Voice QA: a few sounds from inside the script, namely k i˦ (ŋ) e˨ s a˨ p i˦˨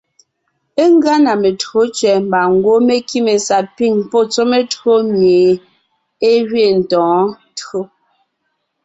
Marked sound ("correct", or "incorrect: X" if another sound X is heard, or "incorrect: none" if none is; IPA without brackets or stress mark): incorrect: m